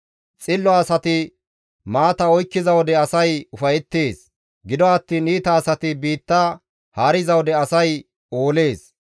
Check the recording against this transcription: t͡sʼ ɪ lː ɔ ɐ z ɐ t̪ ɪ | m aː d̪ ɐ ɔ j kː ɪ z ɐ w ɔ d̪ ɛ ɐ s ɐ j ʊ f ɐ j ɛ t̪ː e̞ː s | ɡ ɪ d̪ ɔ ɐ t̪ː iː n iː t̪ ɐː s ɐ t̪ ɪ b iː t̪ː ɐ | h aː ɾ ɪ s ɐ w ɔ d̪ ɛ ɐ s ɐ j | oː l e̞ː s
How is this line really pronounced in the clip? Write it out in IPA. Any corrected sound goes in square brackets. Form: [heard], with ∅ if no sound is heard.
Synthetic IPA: t͡sʼ ɪ lː ɔ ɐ [s] ɐ t̪ ɪ | m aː [t̪] ɐ ɔ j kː ɪ z ɐ w ɔ d̪ ɛ ɐ s ɐ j ʊ f ɐ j ɛ t̪ː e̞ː s | ɡ ɪ d̪ ɔ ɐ t̪ː iː n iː t̪ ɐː s ɐ t̪ ɪ b iː t̪ː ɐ | h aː ɾ ɪ [z] ɐ w ɔ d̪ ɛ ɐ s ɐ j | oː l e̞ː s